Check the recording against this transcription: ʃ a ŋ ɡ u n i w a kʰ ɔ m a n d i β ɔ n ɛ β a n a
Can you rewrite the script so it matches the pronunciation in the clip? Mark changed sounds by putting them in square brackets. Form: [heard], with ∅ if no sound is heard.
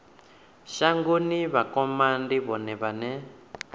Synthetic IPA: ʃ a ŋ ɡ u n i [β] a [k] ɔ m a n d i β ɔ n ɛ β a n [ɛ]

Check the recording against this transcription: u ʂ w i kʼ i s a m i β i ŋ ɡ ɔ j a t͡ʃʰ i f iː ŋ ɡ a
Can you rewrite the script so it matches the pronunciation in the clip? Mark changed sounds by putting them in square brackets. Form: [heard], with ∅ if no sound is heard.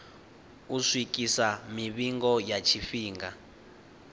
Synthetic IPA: u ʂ w i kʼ i s a m i β i ŋ ɡ ɔ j a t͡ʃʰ i f iː ŋ ɡ a

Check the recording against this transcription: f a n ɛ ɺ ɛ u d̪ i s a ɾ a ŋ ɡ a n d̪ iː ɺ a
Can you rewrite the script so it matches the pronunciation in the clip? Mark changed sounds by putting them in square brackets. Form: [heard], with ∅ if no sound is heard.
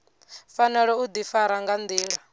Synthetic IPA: f a n ɛ ɺ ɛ u d̪ i [f] a ɾ a ŋ ɡ a n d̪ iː ɺ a

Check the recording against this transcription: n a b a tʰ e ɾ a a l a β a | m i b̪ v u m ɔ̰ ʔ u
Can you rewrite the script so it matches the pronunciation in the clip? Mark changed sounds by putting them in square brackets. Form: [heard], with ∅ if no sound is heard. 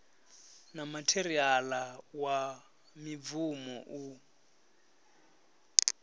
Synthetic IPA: n a [m] a tʰ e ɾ [i] a l a [w] a | m i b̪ v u m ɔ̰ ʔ u

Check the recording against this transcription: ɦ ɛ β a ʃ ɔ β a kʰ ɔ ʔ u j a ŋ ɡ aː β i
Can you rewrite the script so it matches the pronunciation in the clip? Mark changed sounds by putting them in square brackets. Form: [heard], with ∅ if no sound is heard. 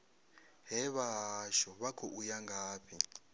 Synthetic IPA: ɦ ɛ β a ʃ ɔ β a kʰ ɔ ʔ u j a ŋ ɡ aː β i

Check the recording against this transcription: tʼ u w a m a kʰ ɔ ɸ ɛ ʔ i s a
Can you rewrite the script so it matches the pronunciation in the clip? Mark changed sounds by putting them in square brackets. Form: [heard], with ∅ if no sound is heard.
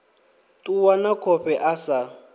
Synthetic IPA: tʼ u w a [n] a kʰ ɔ ɸ ɛ ʔ [a] s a

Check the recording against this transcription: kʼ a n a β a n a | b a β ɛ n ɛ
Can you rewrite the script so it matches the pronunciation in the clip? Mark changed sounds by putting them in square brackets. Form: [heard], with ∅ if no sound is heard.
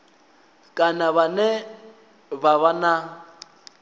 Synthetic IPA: kʼ a n a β a n [ɛ] | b a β [a] n [a]

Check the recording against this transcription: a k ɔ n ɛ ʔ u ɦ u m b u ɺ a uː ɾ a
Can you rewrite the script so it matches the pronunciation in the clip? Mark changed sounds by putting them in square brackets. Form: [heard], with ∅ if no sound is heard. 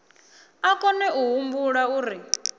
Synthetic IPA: a k ɔ n ɛ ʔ u ɦ u m b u ɺ a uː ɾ [i]

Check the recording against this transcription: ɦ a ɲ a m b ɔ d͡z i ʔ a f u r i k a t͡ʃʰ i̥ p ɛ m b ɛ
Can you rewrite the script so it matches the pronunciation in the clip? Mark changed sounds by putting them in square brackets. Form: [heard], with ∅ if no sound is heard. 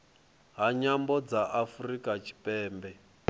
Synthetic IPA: ɦ a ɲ a m b ɔ d͡z [a] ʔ a f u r i k a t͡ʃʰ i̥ p [ɛː] m b ɛ

